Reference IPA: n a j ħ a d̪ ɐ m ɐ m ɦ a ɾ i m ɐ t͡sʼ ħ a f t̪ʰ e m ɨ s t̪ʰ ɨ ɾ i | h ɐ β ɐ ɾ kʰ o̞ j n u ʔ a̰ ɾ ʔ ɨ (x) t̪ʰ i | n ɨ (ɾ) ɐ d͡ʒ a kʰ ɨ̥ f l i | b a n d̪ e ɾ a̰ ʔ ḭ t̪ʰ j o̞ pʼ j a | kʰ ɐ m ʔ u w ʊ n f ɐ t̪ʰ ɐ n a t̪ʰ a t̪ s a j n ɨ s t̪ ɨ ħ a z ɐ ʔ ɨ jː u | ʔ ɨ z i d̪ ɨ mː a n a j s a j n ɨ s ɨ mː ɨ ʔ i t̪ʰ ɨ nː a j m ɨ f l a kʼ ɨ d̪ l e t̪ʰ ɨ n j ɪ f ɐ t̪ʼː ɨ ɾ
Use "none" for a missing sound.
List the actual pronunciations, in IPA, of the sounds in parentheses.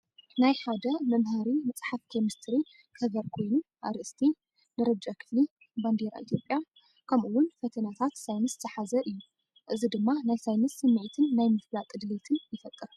s, ɾ

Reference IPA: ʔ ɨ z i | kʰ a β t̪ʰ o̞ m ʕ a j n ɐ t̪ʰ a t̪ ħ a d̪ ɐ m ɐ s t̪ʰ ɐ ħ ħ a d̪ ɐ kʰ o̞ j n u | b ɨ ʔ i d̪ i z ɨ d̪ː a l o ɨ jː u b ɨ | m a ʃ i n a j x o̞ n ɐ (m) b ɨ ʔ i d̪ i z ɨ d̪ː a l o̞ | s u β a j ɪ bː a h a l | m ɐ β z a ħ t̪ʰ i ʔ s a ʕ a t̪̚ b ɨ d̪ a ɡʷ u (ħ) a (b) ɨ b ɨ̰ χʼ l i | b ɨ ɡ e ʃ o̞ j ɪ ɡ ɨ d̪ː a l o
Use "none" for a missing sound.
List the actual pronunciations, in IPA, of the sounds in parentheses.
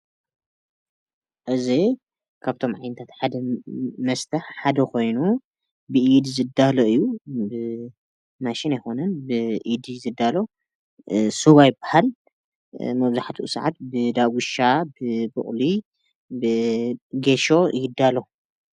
n, ʃ, b

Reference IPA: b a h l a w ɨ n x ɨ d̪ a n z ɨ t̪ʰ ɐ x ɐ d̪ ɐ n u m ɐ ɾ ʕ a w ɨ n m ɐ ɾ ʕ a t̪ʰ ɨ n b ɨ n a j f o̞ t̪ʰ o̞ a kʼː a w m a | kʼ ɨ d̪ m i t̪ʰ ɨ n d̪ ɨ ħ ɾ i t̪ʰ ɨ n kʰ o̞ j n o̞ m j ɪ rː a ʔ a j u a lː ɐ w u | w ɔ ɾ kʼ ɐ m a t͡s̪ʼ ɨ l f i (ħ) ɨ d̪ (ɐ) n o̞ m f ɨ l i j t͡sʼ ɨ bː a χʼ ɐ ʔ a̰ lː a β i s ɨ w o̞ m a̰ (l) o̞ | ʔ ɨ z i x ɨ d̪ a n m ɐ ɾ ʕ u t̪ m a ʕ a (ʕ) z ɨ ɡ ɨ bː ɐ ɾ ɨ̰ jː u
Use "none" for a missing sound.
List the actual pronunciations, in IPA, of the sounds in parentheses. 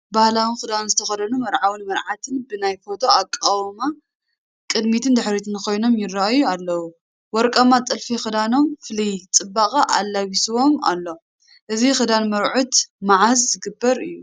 x, a, lː, z

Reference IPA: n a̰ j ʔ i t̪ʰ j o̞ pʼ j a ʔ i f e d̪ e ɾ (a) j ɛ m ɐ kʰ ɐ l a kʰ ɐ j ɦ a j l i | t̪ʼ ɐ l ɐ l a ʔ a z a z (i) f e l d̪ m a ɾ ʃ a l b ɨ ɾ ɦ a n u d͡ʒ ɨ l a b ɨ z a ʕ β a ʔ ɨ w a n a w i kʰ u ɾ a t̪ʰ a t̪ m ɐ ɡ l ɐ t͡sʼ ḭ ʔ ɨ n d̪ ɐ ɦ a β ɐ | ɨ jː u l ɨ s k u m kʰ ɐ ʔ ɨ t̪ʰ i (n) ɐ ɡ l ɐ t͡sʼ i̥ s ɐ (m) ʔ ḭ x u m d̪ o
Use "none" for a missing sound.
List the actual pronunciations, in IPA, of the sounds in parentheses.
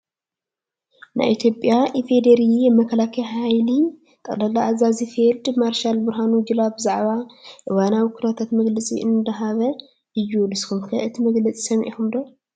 i, i, m, m

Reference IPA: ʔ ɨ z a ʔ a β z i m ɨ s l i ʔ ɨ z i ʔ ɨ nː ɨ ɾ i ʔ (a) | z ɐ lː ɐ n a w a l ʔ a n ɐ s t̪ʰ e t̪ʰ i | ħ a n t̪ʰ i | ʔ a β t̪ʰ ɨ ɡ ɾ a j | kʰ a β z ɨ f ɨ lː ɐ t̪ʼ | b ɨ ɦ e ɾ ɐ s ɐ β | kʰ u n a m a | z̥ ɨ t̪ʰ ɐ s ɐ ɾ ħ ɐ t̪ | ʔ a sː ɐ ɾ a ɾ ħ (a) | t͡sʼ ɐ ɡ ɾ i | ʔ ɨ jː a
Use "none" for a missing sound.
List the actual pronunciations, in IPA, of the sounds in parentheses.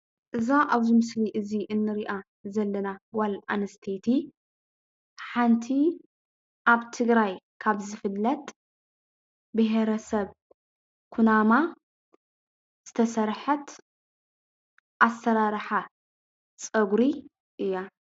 a, a

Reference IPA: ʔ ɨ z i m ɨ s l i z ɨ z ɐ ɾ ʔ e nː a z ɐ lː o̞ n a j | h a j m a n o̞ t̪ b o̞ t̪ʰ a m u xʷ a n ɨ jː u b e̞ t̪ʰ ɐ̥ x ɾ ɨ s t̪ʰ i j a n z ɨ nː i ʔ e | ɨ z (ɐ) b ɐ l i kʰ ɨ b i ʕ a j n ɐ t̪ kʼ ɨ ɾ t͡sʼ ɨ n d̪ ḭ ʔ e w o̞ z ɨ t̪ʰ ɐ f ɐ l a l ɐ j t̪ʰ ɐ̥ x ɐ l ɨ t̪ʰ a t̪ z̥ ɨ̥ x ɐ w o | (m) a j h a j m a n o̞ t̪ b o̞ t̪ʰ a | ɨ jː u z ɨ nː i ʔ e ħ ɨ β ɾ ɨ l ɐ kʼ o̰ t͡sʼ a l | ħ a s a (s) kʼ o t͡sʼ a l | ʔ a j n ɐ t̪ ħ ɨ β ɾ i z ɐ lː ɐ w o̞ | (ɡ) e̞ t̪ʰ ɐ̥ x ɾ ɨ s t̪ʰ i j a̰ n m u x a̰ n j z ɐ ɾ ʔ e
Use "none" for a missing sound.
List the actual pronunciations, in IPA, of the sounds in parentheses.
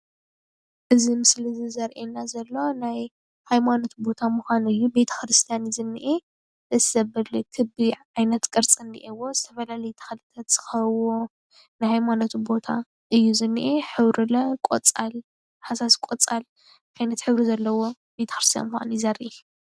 ɐ, n, s, b

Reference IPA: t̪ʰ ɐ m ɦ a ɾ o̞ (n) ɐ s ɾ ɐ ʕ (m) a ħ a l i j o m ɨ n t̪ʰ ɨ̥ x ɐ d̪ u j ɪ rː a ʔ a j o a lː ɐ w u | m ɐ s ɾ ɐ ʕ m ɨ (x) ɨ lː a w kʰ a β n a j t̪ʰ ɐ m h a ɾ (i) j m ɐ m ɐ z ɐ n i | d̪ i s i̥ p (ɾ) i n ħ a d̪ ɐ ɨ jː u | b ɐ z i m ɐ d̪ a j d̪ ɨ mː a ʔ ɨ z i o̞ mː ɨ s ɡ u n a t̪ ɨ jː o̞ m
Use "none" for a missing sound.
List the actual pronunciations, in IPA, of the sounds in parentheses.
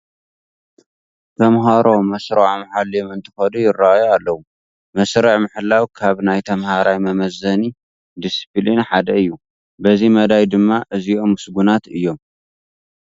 m, m, ħ, a, l

